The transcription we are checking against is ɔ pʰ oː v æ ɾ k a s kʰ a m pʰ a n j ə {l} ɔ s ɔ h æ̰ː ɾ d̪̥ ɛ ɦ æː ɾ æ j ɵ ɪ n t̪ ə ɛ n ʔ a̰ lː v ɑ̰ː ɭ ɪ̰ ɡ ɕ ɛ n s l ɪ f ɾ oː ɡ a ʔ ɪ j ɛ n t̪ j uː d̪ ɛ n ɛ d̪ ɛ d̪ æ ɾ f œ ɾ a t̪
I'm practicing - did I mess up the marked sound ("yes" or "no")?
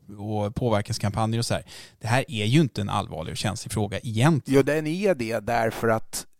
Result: yes